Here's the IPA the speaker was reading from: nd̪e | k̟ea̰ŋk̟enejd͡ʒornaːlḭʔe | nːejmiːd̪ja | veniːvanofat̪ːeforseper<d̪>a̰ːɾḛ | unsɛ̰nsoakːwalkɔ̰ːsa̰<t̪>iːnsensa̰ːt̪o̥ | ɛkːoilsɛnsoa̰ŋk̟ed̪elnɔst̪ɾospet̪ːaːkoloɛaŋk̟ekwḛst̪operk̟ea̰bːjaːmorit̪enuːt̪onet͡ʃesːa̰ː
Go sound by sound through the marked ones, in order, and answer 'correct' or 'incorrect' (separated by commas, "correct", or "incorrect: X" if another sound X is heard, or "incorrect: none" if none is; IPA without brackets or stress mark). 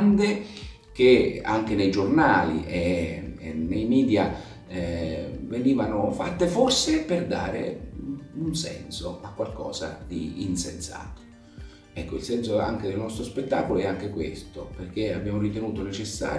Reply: correct, incorrect: d̪